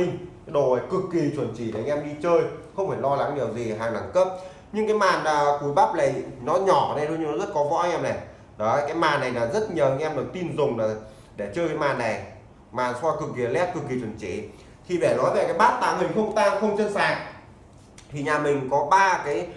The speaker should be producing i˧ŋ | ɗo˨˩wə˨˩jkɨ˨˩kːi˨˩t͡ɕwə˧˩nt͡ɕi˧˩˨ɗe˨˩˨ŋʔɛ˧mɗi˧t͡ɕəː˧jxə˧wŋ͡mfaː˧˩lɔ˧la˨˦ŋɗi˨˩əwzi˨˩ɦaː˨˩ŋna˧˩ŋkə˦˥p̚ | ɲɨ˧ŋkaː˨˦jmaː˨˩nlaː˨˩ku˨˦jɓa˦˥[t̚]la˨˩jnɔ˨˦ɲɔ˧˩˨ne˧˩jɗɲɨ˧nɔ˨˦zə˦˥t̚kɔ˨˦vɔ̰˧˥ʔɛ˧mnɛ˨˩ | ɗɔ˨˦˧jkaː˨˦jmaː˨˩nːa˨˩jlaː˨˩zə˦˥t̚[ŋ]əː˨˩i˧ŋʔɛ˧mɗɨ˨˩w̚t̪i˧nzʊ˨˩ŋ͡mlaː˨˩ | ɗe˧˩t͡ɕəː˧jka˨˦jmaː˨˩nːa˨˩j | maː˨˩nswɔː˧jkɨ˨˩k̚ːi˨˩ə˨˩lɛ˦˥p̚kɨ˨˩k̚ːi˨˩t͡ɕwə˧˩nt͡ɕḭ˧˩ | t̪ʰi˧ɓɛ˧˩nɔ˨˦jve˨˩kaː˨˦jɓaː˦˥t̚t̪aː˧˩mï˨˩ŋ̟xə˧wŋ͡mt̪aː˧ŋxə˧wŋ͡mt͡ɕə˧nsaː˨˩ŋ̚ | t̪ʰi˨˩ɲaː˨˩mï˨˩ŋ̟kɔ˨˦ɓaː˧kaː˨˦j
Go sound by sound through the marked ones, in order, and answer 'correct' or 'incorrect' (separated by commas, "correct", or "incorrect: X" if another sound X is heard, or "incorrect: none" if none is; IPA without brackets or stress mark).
incorrect: p̚, incorrect: ɲ